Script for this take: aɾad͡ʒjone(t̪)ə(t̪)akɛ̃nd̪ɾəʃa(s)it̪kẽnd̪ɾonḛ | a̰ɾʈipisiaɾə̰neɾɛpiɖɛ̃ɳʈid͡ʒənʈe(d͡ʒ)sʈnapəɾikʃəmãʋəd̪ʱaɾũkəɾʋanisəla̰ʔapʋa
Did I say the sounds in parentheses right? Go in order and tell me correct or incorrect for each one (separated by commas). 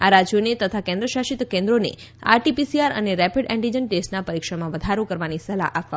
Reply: correct, incorrect, incorrect, incorrect